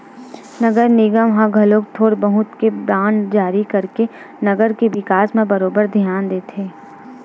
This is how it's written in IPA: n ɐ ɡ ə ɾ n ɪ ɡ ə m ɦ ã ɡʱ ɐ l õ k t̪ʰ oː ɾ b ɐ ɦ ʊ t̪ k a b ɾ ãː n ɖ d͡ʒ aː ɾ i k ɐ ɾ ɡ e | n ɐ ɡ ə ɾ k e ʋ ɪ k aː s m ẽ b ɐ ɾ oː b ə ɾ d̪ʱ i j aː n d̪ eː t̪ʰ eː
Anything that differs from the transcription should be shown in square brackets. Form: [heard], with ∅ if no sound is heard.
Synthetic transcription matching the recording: n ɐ ɡ ə ɾ n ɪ ɡ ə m ɦ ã ɡʱ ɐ l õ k t̪ʰ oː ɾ b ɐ ɦ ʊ t̪ k [e] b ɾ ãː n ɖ d͡ʒ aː ɾ i k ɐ ɾ [k] e | n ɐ ɡ ə ɾ k e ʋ ɪ k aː s m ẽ b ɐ ɾ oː b ə ɾ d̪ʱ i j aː n d̪ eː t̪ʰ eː